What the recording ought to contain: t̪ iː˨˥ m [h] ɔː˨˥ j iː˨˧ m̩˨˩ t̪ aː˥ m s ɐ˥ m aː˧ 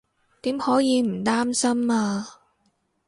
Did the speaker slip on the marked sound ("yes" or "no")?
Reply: no